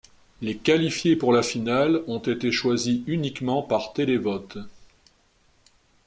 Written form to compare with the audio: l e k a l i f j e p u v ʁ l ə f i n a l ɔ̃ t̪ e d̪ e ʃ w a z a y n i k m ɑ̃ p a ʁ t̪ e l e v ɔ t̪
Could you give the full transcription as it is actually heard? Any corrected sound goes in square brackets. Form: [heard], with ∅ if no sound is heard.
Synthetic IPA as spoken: l e k a l i f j e p u [∅] ʁ l [a] f i n a l ɔ̃ t̪ e [t̪] e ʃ w a z [i] y n i k m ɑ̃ p a ʁ t̪ e l e v ɔ t̪